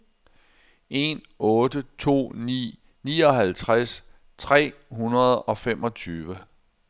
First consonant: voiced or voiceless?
voiced